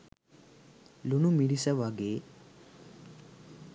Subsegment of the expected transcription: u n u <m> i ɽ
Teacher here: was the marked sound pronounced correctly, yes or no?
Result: yes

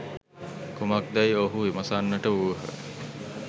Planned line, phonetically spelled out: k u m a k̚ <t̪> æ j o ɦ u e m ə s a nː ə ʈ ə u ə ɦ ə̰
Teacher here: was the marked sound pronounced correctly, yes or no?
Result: no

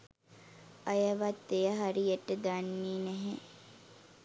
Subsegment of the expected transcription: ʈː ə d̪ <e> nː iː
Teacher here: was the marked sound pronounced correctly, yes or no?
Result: no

